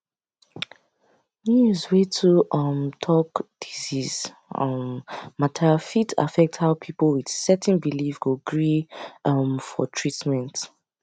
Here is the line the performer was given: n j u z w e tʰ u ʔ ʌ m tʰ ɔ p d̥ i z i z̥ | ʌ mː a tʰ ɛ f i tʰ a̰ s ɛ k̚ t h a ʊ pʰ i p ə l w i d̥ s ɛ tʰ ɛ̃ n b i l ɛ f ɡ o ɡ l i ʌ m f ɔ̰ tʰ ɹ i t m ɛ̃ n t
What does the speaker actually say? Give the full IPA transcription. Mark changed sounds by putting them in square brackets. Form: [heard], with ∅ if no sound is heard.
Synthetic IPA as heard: n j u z w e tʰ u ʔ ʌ m tʰ ɔ [k] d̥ i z i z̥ | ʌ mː a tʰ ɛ f i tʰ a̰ [f] ɛ k̚ t h a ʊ pʰ i p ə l w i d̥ s ɛ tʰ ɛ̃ n b i l [i] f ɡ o ɡ [ɹ] i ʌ m f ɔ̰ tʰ ɹ i t m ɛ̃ n t